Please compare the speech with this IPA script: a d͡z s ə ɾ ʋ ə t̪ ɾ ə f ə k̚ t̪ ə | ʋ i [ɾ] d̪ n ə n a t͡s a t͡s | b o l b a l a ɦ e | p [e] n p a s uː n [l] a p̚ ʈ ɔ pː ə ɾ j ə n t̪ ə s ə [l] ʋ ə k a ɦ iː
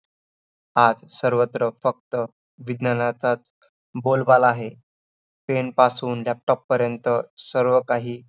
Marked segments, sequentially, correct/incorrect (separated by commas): incorrect, correct, correct, incorrect